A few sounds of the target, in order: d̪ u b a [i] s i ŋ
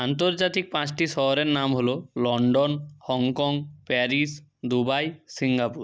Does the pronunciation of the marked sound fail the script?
yes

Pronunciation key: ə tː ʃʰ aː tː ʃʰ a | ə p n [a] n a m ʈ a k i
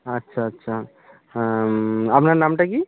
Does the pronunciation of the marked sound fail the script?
no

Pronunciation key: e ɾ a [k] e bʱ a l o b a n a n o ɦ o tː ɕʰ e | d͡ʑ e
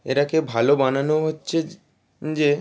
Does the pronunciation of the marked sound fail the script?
no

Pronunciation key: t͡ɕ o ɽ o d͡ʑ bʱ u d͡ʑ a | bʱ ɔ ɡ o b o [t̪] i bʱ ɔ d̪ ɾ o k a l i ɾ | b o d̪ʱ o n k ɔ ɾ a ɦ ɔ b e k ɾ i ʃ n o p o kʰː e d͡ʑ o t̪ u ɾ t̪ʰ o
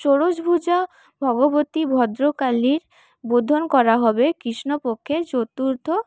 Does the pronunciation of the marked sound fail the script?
no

